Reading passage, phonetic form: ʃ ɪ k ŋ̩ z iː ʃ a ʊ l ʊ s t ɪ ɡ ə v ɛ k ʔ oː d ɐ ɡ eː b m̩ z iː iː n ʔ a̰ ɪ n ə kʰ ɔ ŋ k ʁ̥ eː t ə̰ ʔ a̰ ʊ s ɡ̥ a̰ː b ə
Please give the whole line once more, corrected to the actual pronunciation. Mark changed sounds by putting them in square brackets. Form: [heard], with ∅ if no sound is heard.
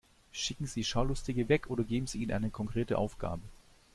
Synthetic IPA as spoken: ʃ ɪ k ŋ̩ z iː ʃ a ʊ l ʊ s t ɪ ɡ ə v ɛ k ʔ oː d ɐ ɡ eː b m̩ z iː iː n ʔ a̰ ɪ n ə kʰ ɔ ŋ k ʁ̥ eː t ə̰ ʔ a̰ ʊ [f] ɡ̥ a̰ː b ə

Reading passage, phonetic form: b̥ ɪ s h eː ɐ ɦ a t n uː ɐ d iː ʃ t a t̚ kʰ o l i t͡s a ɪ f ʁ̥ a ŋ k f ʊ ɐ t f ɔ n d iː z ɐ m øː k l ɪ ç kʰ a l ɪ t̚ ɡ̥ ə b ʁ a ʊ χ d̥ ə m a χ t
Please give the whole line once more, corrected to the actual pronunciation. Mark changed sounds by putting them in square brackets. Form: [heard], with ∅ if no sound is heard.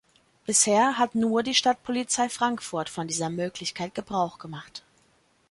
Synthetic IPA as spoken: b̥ ɪ s h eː ɐ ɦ a t n uː ɐ d iː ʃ t a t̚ [pʰ] o l i t͡s a ɪ f ʁ̥ a ŋ k f ʊ ɐ t f ɔ n d iː z ɐ m øː k l ɪ ç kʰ a [∅] ɪ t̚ ɡ̥ ə b ʁ a ʊ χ [ɡ̥] ə m a χ t

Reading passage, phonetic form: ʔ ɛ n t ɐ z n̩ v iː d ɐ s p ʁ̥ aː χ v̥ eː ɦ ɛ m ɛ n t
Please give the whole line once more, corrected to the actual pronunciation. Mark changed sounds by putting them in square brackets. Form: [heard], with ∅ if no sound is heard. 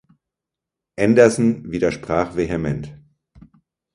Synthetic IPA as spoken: ʔ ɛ n [d] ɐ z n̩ v iː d ɐ [ʃ] p ʁ̥ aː χ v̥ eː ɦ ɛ m ɛ n t

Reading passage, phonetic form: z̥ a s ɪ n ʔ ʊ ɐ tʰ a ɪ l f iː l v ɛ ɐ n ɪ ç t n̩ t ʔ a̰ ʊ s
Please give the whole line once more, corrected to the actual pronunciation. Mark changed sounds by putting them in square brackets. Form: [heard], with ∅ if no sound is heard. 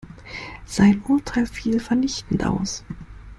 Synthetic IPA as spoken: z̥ a [∅] ɪ n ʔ ʊ ɐ tʰ a ɪ l f iː l [f] ɛ ɐ n ɪ ç t n̩ t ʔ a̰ ʊ s

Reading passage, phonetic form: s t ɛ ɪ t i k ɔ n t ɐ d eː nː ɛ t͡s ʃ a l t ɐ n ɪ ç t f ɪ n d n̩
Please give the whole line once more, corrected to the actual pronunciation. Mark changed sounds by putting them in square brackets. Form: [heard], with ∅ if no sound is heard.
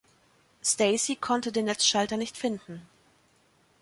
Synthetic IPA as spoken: s t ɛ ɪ [s] i [kʰ] ɔ n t [ə] d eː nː ɛ t͡s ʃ a l t ɐ n ɪ ç t f ɪ n d n̩

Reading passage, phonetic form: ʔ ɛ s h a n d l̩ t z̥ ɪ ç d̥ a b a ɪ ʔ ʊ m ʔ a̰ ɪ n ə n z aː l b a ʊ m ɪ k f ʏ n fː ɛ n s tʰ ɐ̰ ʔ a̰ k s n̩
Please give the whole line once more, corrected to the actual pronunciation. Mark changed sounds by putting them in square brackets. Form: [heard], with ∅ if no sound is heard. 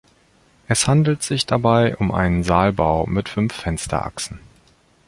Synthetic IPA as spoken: ʔ ɛ s h a n d l̩ t z̥ ɪ ç d̥ a b a ɪ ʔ ʊ m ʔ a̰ ɪ n ə n z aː l b a ʊ m ɪ [t] f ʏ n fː ɛ n s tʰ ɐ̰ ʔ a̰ k s n̩

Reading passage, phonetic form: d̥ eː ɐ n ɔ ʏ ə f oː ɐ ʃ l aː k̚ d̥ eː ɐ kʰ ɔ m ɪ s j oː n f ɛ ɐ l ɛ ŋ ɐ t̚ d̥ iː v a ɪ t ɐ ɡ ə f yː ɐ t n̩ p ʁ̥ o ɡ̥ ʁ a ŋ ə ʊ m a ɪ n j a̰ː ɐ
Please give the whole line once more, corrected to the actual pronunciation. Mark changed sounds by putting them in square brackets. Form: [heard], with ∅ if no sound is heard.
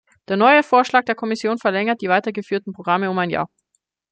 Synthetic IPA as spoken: d̥ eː ɐ n ɔ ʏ ə f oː ɐ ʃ l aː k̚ d̥ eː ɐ kʰ ɔ m ɪ s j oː n f ɛ ɐ l ɛ ŋ ɐ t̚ d̥ iː v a ɪ t ɐ ɡ ə f yː ɐ t n̩ p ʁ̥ o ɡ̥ ʁ a [m] ə ʊ m a ɪ n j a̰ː ɐ

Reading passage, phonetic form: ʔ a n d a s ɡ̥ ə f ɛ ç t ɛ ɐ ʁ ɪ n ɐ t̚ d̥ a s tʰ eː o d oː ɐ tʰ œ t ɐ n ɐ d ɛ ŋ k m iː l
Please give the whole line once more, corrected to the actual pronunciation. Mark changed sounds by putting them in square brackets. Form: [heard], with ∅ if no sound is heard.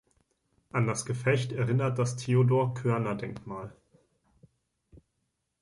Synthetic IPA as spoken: ʔ a n d a s ɡ̥ ə f ɛ ç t ɛ ɐ ʁ ɪ n ɐ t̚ d̥ a s tʰ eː o d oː ɐ [kʰ] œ [∅] ɐ n ɐ d ɛ ŋ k m [aː] l

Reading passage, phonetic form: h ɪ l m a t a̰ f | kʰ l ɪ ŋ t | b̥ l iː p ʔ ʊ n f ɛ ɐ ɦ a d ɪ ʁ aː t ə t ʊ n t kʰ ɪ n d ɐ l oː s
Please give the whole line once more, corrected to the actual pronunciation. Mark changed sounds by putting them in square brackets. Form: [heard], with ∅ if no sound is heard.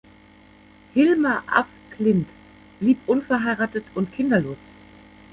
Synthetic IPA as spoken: h ɪ l m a [ʔ] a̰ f | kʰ l ɪ [n] t | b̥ l iː p ʔ ʊ n f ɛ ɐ ɦ a [∅] ɪ ʁ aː t ə t ʊ n t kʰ ɪ n d ɐ l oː s

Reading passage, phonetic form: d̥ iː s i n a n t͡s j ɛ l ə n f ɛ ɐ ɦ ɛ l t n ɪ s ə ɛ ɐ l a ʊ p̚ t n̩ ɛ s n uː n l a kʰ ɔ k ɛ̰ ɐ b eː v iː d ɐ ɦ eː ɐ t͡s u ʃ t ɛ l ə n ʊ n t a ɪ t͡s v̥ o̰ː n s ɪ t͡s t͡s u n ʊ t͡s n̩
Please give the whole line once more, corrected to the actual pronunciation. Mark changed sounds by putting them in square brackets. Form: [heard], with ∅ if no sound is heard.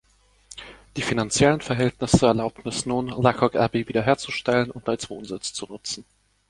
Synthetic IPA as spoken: d̥ iː [f] i n a n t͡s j ɛ l ə n f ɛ ɐ ɦ ɛ l t n ɪ s ə ɛ ɐ l a ʊ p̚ t n̩ ɛ s n uː n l a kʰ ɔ k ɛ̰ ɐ b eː v iː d ɐ ɦ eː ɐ t͡s u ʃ t ɛ l ə n ʊ n t a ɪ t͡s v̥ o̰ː n [z] ɪ t͡s t͡s u n ʊ t͡s n̩

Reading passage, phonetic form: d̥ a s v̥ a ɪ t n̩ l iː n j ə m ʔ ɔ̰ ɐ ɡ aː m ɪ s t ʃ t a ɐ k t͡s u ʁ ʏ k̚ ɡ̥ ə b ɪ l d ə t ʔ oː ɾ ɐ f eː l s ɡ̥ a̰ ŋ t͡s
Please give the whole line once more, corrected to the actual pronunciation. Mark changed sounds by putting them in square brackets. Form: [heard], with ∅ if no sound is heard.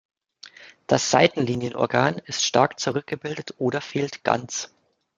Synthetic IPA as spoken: d̥ a s [z̥] a ɪ t n̩ l iː n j ə [n] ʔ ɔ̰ ɐ ɡ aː [n] ɪ s t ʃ t a ɐ k t͡s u ʁ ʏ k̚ ɡ̥ ə b ɪ l d ə t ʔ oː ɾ ɐ f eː l [t] ɡ̥ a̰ [n] t͡s

